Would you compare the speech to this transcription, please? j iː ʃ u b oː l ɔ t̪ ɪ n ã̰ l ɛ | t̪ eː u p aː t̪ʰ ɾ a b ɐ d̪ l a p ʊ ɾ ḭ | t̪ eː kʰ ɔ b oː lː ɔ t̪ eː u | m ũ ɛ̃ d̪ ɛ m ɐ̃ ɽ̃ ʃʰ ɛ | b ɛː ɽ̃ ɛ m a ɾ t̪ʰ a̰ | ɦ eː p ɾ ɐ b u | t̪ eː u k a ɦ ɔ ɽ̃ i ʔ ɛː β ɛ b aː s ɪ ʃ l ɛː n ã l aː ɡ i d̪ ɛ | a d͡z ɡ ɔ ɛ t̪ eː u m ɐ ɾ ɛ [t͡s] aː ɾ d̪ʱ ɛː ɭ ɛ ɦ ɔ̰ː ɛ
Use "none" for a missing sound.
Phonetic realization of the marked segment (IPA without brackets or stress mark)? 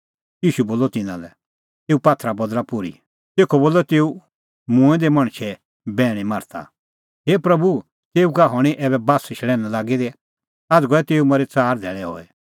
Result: t͡s